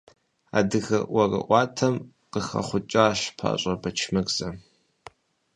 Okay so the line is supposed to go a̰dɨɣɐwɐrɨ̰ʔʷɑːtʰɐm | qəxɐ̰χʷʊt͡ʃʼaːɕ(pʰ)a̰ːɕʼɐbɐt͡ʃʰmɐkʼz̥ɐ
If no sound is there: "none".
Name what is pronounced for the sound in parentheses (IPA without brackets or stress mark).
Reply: pʰ